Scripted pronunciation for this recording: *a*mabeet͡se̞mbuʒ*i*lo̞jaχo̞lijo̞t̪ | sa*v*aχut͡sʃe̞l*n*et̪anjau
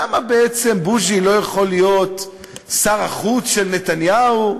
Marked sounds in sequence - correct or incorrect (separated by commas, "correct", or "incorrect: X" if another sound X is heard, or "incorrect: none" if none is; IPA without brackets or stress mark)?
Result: correct, correct, incorrect: ʁ, correct